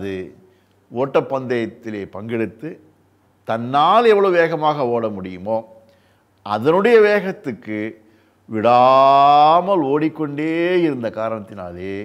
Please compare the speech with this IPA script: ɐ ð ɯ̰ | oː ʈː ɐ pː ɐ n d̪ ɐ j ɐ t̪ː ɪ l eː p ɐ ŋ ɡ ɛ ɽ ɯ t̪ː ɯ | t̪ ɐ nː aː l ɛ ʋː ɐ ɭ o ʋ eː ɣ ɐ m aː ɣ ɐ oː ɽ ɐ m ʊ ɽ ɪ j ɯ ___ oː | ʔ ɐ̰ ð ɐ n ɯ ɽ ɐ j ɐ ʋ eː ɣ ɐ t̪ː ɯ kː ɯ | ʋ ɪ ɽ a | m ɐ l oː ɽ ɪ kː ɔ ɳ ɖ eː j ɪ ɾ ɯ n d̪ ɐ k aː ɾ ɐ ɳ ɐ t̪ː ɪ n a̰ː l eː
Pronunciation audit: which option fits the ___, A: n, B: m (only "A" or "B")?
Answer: B